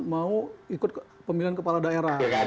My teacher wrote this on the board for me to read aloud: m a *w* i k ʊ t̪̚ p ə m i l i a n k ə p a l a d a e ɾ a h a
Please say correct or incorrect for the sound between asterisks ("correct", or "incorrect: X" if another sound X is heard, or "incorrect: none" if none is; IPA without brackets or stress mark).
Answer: incorrect: u